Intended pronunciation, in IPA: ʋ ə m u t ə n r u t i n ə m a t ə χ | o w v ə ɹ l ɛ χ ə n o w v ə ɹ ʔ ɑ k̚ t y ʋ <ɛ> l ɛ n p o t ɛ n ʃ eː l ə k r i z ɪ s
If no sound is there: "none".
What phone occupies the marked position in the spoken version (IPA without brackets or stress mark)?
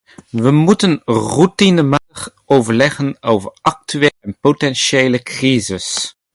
e